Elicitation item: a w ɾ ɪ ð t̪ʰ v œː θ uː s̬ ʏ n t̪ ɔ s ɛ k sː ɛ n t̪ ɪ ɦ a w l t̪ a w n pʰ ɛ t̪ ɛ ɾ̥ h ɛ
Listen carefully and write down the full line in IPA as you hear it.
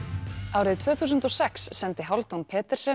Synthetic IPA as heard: a w ɾ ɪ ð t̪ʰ v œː θ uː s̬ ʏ n t̪ ɔ s ɛ k sː ɛ n t̪ ɪ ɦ a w l t̪ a w n pʰ ɛː t̪ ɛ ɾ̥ s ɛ